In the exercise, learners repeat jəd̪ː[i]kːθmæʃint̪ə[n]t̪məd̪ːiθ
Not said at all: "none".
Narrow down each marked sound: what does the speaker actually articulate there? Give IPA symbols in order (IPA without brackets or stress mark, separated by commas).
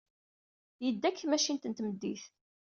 æ, n